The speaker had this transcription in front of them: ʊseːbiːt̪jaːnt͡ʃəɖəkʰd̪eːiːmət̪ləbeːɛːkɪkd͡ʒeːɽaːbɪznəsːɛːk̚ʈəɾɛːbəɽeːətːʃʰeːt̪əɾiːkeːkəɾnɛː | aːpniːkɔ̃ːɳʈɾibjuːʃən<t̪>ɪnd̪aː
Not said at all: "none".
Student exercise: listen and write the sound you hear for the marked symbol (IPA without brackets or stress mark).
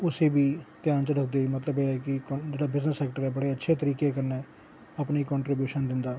d̪